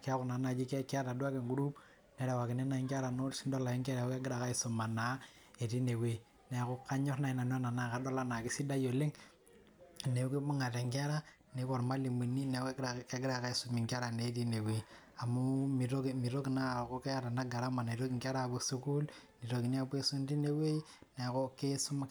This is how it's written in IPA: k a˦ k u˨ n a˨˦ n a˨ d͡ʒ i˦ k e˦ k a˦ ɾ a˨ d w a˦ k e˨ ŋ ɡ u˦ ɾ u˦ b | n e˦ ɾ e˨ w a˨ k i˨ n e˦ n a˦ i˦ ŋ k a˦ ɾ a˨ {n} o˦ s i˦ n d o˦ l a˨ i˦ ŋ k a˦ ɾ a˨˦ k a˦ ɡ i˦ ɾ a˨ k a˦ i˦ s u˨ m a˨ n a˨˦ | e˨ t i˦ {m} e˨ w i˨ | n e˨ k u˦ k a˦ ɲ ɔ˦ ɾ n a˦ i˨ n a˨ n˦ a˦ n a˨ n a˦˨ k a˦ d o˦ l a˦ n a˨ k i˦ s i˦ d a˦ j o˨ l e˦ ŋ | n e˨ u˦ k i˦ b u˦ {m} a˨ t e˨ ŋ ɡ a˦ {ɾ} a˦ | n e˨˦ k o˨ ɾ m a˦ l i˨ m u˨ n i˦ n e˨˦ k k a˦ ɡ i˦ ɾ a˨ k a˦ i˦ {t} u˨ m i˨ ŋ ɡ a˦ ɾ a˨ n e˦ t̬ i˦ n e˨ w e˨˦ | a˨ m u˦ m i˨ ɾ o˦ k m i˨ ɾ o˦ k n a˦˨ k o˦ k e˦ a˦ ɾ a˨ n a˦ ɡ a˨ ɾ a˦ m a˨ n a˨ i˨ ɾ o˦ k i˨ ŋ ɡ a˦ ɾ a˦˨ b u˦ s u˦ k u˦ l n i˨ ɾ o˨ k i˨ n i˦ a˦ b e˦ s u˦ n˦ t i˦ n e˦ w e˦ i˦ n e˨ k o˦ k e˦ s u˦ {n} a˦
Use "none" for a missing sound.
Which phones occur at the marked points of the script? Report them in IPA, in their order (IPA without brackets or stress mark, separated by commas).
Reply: n, n, ŋ, ɾ, s, m